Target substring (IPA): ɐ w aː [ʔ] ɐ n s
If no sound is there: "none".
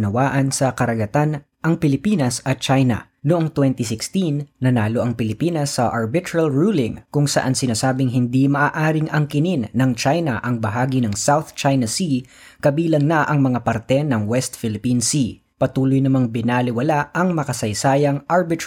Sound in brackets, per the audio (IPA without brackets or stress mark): ʔ